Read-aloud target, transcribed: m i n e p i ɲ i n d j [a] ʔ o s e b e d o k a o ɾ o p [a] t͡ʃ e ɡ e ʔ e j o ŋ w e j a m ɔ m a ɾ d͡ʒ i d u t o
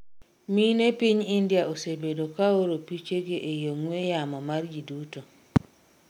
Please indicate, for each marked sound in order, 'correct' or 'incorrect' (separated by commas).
correct, incorrect